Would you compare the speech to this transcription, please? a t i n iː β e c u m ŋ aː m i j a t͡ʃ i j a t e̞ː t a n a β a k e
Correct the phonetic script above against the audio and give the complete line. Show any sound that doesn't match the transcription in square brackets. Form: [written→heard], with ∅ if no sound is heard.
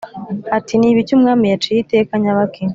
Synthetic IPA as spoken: a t i n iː β [e→i] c u m ŋ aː m i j a t͡ʃ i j [a→i] t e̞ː [t→k] a [n→ɲ] a β a k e